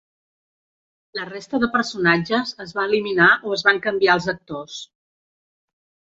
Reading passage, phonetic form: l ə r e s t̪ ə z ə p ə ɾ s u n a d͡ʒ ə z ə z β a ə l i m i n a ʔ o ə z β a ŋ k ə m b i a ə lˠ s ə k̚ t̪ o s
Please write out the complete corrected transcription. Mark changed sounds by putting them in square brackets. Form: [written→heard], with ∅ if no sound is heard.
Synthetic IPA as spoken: l ə r e s t̪ ə [z→ð] ə p ə ɾ s u n a d͡ʒ ə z ə z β a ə l i m i n a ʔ o ə z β a ŋ k ə m b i a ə lˠ [s→z] ə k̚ t̪ o s